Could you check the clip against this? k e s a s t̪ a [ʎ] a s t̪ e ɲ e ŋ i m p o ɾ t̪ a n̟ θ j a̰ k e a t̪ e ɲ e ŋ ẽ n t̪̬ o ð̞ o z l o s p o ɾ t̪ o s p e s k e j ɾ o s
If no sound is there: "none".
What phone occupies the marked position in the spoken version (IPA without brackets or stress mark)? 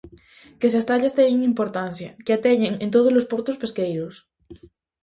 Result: ʎ